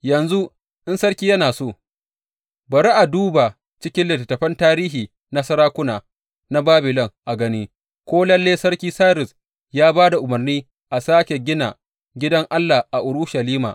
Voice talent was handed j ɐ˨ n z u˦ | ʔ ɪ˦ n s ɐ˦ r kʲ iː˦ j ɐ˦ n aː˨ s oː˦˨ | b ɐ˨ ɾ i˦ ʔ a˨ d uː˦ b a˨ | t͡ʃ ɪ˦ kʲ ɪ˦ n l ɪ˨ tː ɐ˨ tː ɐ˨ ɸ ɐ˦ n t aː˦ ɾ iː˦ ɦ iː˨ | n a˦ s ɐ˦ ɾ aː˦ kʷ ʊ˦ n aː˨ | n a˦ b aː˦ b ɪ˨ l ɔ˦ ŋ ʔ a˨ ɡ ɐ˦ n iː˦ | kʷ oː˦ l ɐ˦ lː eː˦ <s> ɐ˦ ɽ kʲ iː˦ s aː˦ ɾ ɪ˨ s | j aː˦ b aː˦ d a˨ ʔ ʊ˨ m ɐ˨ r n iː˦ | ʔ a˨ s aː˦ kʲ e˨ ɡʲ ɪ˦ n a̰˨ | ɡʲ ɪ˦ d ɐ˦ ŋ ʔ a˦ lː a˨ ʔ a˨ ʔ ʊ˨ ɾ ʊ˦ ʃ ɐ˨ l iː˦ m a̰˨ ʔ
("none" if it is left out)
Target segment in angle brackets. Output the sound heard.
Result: s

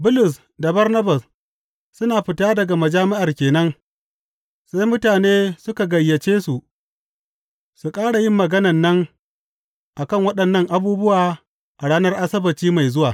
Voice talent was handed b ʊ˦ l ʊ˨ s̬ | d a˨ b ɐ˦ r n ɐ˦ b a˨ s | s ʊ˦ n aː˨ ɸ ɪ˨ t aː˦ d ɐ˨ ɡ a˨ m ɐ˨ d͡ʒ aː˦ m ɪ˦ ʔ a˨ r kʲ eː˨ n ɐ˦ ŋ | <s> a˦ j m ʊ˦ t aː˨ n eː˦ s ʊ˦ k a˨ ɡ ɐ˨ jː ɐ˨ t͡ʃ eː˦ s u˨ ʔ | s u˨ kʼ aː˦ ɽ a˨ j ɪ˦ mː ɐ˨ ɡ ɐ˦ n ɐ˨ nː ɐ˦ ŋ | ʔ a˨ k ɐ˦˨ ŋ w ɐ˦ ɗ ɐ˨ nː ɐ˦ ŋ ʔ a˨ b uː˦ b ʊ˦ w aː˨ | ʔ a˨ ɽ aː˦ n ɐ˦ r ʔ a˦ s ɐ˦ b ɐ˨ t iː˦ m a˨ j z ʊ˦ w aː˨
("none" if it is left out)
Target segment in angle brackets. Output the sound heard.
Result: s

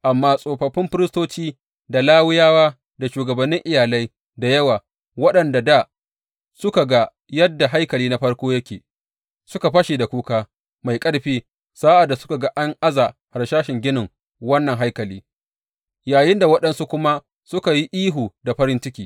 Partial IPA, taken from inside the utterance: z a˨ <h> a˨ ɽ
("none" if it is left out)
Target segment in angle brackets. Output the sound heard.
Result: h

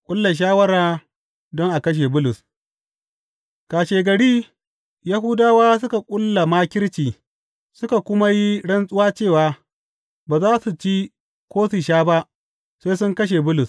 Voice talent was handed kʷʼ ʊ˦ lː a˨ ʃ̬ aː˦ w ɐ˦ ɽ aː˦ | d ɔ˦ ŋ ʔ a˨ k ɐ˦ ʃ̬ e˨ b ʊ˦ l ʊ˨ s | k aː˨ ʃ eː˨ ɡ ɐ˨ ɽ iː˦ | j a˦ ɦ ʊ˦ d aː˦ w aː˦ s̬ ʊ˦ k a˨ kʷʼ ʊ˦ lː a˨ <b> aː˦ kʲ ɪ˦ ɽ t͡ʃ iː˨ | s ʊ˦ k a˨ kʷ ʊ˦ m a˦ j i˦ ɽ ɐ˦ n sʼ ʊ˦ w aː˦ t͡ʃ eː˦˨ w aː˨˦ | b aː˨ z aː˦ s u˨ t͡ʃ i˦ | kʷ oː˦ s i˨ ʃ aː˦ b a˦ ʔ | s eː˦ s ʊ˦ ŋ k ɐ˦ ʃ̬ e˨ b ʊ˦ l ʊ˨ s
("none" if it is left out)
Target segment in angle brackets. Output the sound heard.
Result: m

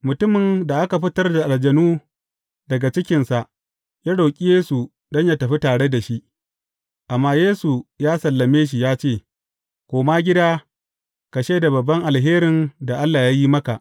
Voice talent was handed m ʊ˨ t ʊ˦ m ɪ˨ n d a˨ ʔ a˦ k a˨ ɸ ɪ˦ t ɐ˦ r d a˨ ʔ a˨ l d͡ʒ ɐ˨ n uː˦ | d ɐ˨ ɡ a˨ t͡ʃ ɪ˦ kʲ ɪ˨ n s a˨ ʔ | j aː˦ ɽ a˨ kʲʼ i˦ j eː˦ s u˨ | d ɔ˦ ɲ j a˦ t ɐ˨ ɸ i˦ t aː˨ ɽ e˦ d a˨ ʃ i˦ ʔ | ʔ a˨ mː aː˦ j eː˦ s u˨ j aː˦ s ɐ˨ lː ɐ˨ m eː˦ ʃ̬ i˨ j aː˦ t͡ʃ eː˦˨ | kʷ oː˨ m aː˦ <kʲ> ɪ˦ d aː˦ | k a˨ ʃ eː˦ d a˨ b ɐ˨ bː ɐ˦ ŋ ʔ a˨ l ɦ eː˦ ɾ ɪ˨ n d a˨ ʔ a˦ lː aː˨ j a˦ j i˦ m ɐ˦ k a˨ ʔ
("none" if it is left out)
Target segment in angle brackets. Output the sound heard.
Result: ɡʲ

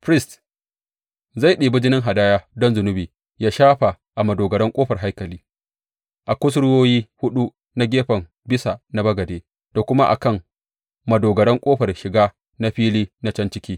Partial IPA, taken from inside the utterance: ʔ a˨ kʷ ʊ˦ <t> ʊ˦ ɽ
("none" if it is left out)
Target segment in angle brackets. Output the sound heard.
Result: s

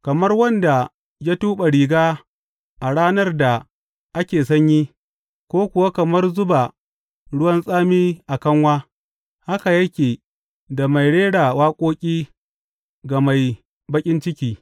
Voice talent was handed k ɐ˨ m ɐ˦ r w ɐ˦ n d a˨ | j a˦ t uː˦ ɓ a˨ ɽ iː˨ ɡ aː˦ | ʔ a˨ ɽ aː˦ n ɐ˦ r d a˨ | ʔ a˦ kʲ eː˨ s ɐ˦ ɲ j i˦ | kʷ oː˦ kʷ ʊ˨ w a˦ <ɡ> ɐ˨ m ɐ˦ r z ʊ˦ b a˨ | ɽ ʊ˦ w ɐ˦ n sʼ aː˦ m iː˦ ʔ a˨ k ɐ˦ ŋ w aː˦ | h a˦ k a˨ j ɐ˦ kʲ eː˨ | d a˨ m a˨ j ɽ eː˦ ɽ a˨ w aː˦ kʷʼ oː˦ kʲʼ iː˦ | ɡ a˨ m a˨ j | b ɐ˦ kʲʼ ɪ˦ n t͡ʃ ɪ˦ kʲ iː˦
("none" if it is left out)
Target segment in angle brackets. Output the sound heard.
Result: k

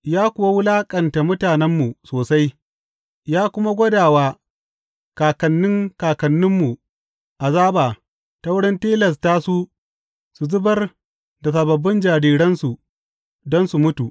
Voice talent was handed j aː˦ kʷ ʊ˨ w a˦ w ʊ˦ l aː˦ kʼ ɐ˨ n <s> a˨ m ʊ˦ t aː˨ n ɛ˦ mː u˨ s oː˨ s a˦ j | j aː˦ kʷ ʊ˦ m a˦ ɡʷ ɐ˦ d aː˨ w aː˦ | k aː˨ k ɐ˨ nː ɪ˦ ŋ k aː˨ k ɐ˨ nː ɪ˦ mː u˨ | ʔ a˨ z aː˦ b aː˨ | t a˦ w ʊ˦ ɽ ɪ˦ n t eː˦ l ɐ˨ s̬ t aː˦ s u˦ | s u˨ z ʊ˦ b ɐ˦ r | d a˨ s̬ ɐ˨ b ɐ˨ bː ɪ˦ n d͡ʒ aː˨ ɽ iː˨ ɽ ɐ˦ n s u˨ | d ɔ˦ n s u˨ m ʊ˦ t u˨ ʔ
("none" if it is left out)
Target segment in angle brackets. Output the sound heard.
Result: t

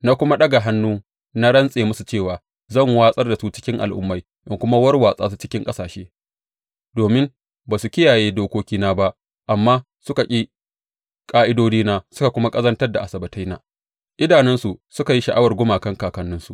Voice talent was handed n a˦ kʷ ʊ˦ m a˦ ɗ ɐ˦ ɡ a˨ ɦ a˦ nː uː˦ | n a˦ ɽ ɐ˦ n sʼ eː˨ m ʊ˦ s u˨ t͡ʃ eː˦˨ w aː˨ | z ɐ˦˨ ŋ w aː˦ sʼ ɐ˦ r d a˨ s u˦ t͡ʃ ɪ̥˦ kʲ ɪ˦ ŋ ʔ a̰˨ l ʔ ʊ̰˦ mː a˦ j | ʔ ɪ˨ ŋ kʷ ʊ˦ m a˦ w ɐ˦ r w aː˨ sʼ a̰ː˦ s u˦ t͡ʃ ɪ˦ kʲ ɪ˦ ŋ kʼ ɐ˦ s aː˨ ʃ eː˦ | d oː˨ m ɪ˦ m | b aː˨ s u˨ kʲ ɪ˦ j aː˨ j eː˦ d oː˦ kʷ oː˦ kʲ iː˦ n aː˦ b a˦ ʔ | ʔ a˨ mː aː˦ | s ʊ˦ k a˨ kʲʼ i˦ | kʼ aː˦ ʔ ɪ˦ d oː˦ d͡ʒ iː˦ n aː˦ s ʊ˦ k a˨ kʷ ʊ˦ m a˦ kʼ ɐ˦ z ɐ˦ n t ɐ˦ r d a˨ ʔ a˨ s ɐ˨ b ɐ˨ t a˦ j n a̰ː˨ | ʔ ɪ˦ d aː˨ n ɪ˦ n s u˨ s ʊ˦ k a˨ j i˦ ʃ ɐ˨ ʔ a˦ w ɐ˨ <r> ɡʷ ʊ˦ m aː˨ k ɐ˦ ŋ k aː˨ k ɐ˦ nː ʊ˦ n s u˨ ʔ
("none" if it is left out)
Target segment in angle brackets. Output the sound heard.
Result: r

